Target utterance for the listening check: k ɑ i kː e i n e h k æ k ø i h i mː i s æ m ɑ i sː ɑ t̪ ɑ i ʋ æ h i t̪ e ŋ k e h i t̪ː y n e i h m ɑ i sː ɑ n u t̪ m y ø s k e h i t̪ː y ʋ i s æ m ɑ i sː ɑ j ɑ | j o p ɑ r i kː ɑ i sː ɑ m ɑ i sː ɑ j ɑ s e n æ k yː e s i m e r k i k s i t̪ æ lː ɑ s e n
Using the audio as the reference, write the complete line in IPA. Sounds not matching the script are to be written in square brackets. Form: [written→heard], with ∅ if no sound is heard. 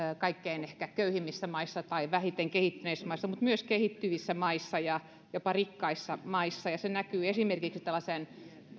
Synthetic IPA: k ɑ i kː e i n e h k æ k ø [i→y] h i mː i [s→sː] æ m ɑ i sː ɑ t̪ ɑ i ʋ æ h i t̪ e ŋ k e h i t̪ː y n e i [h→s] m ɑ i sː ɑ [n→m] u t̪ m y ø s k e h i t̪ː y ʋ i [s→sː] æ m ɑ i sː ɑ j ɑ | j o p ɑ r i kː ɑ i sː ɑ m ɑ i sː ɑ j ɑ s e n æ k yː e s i m e r k i k s i t̪ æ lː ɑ s e n